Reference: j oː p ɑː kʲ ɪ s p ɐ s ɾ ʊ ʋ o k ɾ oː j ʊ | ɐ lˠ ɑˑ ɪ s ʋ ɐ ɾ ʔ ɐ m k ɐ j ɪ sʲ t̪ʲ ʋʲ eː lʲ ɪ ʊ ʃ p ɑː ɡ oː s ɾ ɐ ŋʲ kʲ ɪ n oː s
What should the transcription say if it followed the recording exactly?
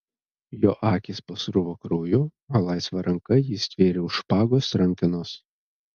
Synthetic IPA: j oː ʔ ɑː kʲ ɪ s p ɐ s ɾ ʊ ʋ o k ɾ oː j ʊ | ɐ lˠ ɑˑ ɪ s ʋ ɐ ɾ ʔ ɐ ŋ k ɐ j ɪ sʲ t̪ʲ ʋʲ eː ɾʲ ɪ ʊ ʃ p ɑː ɡ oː s ɾ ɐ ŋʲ kʲ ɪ n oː s